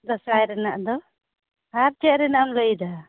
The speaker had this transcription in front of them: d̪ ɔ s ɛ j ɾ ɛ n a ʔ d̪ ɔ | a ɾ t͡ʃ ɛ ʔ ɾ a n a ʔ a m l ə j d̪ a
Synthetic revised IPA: d̪ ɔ s a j ɾ ɛ n a ʔ d̪ ɔ | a ɾ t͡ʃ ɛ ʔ ɾ ɛ n a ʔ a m l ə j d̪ a